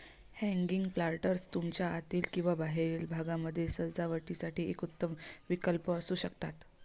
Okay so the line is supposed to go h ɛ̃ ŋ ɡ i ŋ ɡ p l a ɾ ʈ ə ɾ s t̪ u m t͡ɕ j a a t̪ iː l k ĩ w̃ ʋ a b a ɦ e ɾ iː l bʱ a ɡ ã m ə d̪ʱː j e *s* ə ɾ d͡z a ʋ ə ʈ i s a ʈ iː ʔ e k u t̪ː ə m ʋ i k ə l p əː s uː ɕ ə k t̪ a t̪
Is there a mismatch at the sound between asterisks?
no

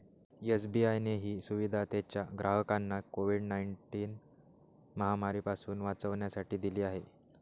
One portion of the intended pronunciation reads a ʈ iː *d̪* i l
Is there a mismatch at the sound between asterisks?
no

